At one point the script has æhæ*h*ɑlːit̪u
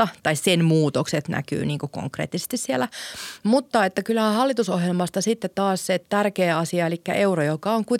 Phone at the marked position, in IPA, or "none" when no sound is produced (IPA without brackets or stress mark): h